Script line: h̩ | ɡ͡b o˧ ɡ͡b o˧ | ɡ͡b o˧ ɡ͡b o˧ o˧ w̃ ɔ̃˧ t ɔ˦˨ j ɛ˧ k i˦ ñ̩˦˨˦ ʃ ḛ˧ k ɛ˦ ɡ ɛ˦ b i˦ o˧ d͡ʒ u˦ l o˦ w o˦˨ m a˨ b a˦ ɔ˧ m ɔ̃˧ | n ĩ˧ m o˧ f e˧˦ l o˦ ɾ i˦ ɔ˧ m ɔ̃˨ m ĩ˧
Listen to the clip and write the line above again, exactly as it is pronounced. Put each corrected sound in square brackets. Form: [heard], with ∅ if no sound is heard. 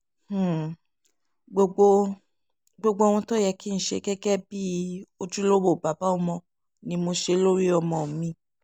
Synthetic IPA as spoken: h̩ | ɡ͡b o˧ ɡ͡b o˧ | ɡ͡b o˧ ɡ͡b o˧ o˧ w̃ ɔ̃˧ t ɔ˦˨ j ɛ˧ k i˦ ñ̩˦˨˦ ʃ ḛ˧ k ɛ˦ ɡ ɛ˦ b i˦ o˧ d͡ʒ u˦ l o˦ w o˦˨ [b] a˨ b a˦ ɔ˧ m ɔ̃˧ | n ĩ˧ m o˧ [ʃ] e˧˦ l o˦ ɾ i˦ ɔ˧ m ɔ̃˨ m ĩ˧